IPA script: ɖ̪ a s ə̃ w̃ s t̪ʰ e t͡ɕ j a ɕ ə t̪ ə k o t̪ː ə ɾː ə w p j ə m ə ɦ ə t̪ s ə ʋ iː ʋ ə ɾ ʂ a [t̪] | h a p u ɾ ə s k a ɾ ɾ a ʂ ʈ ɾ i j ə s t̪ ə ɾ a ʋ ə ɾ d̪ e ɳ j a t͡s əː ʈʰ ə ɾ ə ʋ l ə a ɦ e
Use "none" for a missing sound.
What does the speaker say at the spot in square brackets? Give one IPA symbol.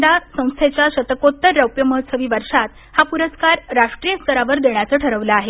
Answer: t̪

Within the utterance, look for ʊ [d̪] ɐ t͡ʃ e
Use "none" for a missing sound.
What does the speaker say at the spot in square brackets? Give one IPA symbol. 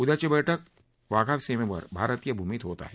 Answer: d̪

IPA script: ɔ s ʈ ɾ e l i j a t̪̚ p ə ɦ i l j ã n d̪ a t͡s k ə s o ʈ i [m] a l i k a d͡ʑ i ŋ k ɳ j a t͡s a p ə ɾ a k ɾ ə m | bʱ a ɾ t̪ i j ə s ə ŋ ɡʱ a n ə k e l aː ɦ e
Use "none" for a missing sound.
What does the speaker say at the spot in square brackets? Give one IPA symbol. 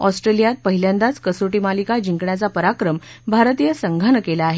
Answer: m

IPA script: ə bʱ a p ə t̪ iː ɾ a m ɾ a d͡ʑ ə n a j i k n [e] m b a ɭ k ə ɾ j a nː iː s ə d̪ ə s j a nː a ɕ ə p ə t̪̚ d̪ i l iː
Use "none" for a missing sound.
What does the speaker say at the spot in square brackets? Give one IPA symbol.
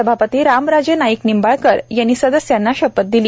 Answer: i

